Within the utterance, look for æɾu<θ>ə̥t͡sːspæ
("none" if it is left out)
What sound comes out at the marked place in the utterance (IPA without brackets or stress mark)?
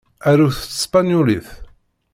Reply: θ